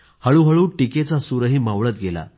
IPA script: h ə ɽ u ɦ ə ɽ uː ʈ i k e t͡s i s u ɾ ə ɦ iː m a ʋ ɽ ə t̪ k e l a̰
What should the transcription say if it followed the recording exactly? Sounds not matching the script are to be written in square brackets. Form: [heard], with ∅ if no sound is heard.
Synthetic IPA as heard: h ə [ɭ] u ɦ ə [ɭ] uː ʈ i k e t͡s [a] s u ɾ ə ɦ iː m a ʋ [ɭ] ə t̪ [ɡ] e l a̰